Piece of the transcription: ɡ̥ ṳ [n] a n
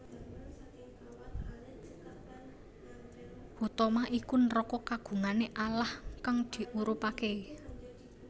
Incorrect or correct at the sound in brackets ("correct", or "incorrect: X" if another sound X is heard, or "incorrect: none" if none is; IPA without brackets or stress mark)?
incorrect: ŋ